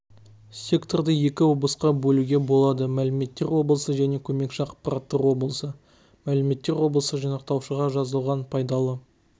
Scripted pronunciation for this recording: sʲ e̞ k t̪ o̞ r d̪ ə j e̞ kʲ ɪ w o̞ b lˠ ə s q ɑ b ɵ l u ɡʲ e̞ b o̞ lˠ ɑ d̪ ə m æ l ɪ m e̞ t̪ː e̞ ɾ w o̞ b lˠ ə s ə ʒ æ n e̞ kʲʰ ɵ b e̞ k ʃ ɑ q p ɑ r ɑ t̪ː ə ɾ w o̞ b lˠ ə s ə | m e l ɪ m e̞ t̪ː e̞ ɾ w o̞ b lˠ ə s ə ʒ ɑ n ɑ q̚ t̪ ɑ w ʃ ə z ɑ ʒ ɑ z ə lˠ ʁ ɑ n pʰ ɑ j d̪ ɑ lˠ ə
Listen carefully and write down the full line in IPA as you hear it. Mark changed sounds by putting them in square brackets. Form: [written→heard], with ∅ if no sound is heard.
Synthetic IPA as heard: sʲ e̞ k t̪ o̞ r d̪ ə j e̞ kʲ ɪ w o̞ b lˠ ə s q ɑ b ɵ l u ɡʲ e̞ b o̞ lˠ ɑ d̪ ə m æ l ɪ m e̞ t̪ː e̞ ɾ w o̞ b lˠ ə s ə ʒ æ n e̞ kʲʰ ɵ [b→m] e̞ k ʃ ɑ q p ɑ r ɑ t̪ː ə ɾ w o̞ b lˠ ə s ə | m [e→æ] l ɪ m e̞ t̪ː e̞ ɾ w o̞ b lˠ ə s ə ʒ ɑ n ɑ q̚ t̪ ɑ w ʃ ə [z→ʁ] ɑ ʒ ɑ z ə lˠ ʁ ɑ n pʰ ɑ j d̪ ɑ lˠ ə

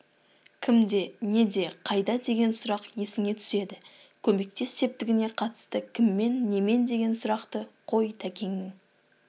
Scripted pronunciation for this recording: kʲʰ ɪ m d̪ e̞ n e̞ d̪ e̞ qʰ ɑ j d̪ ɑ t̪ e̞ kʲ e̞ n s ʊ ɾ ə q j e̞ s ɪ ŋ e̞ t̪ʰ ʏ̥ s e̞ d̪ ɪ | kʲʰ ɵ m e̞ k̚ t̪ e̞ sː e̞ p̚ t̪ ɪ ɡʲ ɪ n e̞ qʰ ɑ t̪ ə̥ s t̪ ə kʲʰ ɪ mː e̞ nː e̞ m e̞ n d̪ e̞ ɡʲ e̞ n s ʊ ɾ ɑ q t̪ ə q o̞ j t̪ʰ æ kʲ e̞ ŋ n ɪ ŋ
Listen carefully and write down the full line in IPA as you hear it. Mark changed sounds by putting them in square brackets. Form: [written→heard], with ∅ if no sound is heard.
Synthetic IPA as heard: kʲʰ ɪ m d̪ e̞ n e̞ d̪ e̞ qʰ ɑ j d̪ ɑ [t̪→d̪] e̞ [kʲ→ɡʲ] e̞ n s ʊ ɾ [ə→ɑ] q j e̞ s ɪ ŋ e̞ t̪ʰ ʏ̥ s e̞ d̪ ɪ | kʲʰ ɵ m e̞ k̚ t̪ e̞ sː e̞ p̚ t̪ ɪ ɡʲ ɪ n e̞ qʰ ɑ t̪ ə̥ s t̪ ə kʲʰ ɪ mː e̞ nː e̞ m e̞ n d̪ e̞ ɡʲ e̞ n s ʊ ɾ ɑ q t̪ ə [q→qʰ] o̞ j t̪ʰ æ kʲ e̞ ŋ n ɪ ŋ

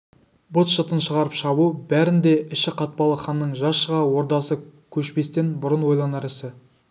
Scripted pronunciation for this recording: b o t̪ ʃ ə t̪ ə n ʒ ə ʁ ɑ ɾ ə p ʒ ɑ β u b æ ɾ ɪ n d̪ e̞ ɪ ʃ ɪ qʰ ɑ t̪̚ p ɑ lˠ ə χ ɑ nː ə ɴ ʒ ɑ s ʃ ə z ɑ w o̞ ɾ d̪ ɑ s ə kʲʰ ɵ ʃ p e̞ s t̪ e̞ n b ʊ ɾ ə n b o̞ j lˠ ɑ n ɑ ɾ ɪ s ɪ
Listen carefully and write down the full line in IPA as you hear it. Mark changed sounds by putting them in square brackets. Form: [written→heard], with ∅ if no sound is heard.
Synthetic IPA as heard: b o t̪ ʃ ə t̪ ə n [ʒ→ʃ] ə ʁ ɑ ɾ ə p [ʒ→ʃ] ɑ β u b æ ɾ ɪ n d̪ e̞ ɪ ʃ ɪ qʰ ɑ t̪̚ p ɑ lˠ ə χ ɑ nː ə ɴ ʒ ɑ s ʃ ə [z→ʁ] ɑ w o̞ ɾ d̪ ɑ s ə kʲʰ ɵ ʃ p e̞ s t̪ e̞ n b ʊ ɾ ə n [b→w] o̞ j lˠ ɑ n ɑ ɾ ɪ s ɪ

